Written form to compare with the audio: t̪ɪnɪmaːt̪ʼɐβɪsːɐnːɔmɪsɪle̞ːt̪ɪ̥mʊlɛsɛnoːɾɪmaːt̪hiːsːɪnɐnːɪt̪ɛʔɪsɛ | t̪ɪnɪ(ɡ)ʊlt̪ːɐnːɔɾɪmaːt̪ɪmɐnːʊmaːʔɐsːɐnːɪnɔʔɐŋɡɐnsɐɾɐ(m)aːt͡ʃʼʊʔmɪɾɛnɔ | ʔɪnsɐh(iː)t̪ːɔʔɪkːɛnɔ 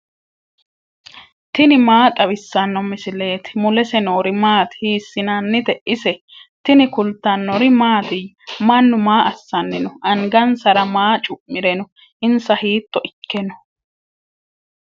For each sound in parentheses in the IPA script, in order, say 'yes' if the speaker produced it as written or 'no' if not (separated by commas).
no, yes, yes